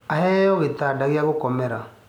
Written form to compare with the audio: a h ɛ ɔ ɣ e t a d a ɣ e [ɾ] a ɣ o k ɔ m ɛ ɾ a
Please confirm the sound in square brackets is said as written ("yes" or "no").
no